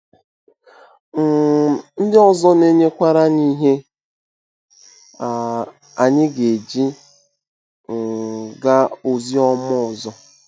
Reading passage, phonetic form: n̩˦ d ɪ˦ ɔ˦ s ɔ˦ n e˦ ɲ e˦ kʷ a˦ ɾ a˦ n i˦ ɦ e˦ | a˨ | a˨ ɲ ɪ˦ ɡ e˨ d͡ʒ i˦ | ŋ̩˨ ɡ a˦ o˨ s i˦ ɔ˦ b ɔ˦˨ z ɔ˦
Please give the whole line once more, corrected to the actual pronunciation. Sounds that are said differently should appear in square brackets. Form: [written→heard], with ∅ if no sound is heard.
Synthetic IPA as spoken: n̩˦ d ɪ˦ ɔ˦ [s→z] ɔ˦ n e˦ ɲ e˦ kʷ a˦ ɾ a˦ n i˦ ɦ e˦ | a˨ | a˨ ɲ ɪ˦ ɡ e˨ d͡ʒ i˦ | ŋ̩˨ ɡ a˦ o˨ [s→z] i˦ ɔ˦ [b→m] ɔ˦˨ z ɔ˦

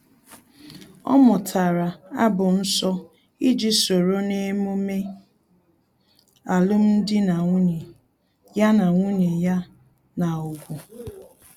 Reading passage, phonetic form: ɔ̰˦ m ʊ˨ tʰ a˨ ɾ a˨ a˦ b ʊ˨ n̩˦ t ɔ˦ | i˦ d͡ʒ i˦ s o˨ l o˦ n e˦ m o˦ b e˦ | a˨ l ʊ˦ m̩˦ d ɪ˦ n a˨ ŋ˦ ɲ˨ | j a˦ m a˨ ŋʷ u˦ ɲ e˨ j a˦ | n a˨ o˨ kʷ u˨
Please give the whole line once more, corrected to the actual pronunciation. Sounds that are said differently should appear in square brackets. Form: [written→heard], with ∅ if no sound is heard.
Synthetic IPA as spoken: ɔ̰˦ m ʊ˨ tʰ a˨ ɾ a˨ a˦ b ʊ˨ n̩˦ [t→s] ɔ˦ | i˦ d͡ʒ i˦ s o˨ [l→ɾ] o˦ n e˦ m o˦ [b→m] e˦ | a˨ l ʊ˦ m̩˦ d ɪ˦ n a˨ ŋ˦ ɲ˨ | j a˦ [m→n] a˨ ŋʷ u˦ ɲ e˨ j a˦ | n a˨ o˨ [kʷ→ɡʷ] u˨

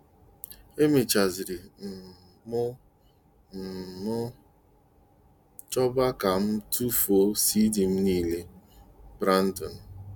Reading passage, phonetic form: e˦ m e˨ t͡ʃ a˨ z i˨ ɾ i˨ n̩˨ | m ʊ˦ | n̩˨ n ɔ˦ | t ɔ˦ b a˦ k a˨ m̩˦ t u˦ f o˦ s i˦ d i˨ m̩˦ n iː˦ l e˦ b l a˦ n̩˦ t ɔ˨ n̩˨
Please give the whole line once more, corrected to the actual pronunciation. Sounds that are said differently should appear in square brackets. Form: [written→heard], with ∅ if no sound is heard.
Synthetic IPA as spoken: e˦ m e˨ t͡ʃ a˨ z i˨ ɾ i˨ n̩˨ | m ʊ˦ | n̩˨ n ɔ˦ | [t→t͡ʃ] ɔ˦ b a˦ k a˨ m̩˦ t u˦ f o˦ s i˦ d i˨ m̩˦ n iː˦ l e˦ b [l→ɾ] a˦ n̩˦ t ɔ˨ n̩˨

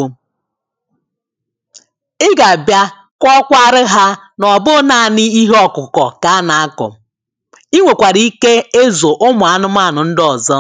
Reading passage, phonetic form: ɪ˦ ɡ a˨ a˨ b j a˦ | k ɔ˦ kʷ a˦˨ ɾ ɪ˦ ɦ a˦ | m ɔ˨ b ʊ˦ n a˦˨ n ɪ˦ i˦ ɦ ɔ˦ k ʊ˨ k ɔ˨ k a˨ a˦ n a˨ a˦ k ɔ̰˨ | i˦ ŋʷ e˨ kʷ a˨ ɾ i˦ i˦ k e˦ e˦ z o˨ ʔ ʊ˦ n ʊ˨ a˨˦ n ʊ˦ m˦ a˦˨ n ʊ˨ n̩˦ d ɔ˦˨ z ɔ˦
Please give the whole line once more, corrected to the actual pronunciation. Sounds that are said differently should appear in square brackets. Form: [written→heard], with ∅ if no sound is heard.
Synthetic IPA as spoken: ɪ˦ ɡ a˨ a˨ b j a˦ | k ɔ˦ kʷ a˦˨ ɾ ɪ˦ ɦ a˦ | [m→n] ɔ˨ b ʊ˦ n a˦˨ n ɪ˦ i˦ ɦ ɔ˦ k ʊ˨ k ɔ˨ k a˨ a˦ n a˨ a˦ k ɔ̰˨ | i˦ ŋʷ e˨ kʷ a˨ ɾ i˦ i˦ k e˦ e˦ z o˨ ʔ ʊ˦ [n→m] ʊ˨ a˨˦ n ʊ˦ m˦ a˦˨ n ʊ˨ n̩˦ d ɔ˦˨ z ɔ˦

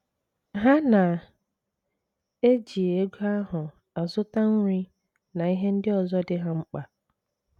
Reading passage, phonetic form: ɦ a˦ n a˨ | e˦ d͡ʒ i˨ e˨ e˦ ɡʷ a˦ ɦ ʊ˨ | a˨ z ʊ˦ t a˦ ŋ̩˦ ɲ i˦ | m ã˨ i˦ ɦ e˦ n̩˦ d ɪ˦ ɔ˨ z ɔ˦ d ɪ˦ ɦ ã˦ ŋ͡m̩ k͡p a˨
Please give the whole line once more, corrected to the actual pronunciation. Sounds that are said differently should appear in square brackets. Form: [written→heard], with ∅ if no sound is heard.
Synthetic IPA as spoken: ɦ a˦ n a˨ | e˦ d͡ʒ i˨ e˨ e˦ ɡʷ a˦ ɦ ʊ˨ | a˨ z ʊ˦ t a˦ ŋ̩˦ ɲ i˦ | [m→n] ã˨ i˦ ɦ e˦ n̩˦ d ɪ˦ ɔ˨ z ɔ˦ d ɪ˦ ɦ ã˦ ŋ͡m̩ k͡p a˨

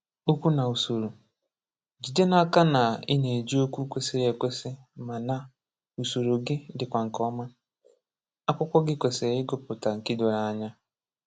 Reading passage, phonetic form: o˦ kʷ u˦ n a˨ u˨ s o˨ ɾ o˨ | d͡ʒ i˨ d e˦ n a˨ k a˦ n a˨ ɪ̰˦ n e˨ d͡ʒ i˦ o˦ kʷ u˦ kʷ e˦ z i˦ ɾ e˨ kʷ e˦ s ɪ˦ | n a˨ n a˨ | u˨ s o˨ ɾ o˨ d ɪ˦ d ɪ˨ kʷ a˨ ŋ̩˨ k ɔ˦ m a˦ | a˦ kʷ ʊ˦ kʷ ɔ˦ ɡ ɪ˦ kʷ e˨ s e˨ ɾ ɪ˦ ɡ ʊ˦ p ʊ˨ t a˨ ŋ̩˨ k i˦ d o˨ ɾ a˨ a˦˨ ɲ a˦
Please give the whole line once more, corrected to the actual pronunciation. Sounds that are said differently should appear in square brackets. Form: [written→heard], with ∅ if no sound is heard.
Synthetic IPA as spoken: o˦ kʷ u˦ n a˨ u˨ s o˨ ɾ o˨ | d͡ʒ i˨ d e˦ n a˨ k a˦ n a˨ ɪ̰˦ n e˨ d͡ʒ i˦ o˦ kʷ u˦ kʷ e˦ [z→s] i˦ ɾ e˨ kʷ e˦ s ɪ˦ | [n→m] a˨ n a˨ | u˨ s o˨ ɾ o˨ [d→ɡ] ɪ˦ d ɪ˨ kʷ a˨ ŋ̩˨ k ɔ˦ m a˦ | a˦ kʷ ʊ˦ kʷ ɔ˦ ɡ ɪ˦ kʷ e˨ s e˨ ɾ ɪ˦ ɡ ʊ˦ p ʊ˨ t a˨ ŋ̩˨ k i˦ d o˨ ɾ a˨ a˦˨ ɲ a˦

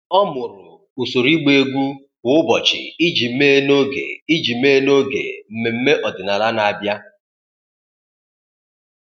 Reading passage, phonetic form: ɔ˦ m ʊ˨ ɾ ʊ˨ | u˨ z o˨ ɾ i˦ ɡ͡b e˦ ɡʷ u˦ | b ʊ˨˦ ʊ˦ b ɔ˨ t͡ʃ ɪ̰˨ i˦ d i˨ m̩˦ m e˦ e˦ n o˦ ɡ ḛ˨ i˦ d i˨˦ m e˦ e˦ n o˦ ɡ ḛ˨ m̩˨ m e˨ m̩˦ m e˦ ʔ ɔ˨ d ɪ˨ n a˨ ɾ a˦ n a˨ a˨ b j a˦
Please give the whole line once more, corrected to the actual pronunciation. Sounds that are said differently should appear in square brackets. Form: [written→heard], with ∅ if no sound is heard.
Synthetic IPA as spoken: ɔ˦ m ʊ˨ ɾ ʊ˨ | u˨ [z→s] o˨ ɾ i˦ ɡ͡b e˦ ɡʷ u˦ | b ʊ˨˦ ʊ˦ b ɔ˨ t͡ʃ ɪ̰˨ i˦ [d→d͡ʒ] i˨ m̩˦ m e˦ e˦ n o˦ ɡ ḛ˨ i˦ [d→d͡ʒ] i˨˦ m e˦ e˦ n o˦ ɡ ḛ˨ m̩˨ m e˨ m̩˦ m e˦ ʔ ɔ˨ d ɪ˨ n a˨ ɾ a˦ n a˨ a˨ b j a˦

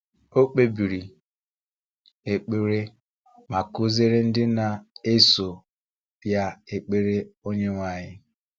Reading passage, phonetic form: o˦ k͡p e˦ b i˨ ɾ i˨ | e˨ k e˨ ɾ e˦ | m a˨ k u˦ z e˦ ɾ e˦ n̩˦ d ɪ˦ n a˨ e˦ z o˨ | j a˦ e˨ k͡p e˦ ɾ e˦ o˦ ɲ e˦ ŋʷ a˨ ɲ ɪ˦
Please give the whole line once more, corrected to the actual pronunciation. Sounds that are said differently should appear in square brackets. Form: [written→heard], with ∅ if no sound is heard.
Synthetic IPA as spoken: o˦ k͡p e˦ b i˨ ɾ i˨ | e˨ [k→k͡p] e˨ ɾ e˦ | m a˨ k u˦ z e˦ ɾ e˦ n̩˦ d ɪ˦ n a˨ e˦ [z→s] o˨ | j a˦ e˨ k͡p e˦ ɾ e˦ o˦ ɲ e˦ ŋʷ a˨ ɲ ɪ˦

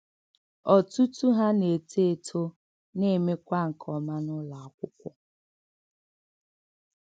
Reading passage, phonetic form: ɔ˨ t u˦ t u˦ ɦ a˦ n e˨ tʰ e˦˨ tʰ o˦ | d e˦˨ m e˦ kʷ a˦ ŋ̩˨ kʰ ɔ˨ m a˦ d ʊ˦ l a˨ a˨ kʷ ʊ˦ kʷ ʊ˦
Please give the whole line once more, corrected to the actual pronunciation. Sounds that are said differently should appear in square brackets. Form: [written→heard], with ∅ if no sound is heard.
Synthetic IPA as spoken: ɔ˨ t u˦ t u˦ ɦ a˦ n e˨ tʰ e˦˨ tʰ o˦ | [d→n] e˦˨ m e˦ kʷ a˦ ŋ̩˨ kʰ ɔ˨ m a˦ [d→n] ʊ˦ l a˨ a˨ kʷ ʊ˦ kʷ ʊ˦

